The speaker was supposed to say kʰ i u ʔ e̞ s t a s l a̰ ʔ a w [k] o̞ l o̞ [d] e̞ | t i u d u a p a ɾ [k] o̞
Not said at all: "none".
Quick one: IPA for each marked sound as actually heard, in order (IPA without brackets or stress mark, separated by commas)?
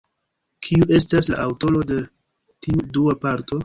t, d, t